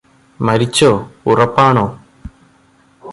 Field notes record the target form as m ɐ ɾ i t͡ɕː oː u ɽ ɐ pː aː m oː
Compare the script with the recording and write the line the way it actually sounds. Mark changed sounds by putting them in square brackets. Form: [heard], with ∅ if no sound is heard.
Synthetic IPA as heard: m ɐ ɾ i t͡ɕː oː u [r] ɐ pː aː [ɳ] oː